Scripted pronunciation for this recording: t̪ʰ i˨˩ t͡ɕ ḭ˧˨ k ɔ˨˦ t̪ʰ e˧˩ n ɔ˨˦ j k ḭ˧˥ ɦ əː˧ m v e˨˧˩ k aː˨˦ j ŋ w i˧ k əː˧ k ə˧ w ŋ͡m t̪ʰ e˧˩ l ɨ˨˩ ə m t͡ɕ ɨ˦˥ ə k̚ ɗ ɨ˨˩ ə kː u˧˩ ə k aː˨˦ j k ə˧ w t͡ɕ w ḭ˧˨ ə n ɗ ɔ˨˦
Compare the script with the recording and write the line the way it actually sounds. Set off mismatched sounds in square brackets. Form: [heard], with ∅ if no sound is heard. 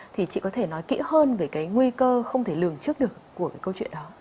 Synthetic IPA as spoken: t̪ʰ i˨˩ t͡ɕ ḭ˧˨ k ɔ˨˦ t̪ʰ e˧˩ n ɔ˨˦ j k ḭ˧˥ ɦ əː˧ [n] v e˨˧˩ k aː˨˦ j ŋ w i˧ k əː˧ [x] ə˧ w ŋ͡m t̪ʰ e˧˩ l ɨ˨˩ ə [ŋ] t͡ɕ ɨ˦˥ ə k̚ ɗ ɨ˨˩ ə kː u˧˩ ə k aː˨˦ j k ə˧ w t͡ɕ w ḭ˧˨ ə n ɗ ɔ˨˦